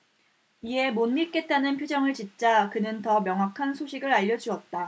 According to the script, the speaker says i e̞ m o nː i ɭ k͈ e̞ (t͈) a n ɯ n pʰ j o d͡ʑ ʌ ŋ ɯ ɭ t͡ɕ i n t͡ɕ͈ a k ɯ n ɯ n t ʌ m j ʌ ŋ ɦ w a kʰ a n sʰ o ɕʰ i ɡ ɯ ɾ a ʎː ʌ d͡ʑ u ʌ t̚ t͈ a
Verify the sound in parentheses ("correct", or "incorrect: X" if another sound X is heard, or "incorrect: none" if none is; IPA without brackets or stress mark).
correct